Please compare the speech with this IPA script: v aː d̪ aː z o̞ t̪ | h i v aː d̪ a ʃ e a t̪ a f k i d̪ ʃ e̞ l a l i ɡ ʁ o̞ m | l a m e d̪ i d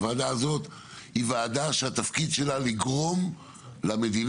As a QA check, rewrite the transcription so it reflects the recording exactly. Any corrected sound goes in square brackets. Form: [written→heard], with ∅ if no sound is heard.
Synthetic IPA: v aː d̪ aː z o̞ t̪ | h i v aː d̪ a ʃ e a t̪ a f k i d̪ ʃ e̞ l a l i ɡ ʁ o̞ m | l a m e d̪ i [d→n]